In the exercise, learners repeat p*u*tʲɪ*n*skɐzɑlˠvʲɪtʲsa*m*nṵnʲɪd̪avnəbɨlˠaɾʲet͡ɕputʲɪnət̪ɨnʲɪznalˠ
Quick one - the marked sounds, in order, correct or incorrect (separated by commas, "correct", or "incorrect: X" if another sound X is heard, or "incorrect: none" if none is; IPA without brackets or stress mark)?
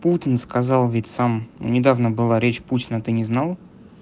correct, correct, correct